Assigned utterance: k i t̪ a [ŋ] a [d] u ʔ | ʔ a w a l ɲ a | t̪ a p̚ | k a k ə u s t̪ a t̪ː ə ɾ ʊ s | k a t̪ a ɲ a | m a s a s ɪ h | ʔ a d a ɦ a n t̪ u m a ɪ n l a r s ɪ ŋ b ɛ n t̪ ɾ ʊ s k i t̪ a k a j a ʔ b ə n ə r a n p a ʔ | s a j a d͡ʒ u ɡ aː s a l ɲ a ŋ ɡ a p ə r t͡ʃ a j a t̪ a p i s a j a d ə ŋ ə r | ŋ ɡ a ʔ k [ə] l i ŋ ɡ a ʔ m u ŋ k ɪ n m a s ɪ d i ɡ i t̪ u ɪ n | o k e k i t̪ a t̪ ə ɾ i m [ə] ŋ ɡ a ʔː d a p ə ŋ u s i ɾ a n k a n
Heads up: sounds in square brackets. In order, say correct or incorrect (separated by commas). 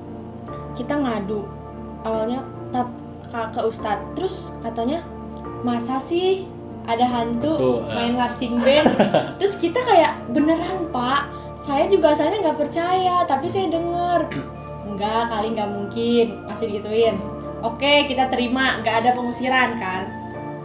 correct, correct, incorrect, incorrect